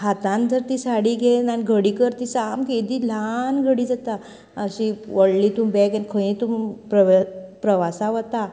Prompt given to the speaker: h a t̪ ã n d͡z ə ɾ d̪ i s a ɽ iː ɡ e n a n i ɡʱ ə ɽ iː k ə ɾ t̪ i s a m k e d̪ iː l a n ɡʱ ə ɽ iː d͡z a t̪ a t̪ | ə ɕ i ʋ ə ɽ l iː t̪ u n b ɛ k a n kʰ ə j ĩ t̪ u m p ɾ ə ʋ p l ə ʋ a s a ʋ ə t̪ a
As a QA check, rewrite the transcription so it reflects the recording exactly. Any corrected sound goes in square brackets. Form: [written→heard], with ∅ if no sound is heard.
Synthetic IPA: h a t̪ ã n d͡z ə ɾ [d̪→t̪] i s a ɽ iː ɡ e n a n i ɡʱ ə ɽ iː k ə ɾ t̪ i s a m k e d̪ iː l a n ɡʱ ə ɽ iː d͡z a t̪ a [t̪→∅] | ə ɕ i ʋ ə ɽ l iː t̪ u [n→m] b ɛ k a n kʰ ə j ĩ t̪ u m p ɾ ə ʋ p [l→ɾ] ə ʋ a s a ʋ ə t̪ a